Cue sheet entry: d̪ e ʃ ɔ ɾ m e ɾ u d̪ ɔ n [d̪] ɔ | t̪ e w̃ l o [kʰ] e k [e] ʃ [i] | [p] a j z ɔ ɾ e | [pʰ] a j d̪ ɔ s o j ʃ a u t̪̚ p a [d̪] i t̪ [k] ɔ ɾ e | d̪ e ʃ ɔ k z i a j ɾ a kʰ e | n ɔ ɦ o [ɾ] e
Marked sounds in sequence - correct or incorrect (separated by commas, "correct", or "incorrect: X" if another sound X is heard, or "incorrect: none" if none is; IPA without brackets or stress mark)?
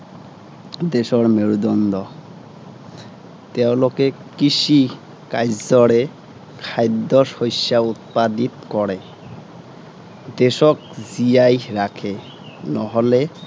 correct, incorrect: k, incorrect: i, correct, incorrect: k, incorrect: kʰ, correct, correct, incorrect: l